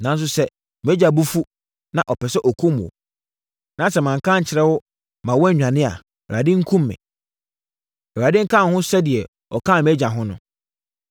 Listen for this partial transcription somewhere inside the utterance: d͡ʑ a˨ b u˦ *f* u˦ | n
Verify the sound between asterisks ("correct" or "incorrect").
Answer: correct